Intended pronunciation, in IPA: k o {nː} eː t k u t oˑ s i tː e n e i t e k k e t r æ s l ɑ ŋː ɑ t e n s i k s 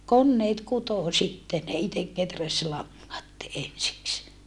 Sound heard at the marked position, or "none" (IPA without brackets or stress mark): nː